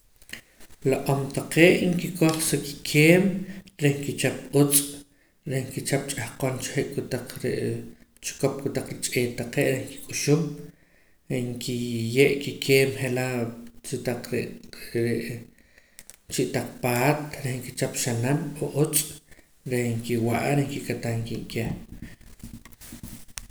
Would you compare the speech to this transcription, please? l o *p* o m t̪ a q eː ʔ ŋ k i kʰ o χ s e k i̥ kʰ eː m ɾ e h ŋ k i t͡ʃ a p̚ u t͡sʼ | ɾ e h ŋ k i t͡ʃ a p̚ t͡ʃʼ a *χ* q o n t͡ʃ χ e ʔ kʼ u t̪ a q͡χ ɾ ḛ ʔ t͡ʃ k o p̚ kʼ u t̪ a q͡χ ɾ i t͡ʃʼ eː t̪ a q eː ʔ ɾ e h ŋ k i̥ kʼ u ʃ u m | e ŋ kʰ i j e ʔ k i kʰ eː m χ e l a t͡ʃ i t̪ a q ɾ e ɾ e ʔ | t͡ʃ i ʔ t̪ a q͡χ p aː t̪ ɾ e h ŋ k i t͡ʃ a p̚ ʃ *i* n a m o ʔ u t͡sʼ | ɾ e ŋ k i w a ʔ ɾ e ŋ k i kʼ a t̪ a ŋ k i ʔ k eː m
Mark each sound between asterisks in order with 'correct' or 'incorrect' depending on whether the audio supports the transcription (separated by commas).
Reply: incorrect, incorrect, incorrect